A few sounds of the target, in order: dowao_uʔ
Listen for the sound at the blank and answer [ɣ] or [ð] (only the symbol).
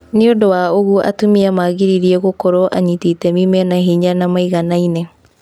ɣ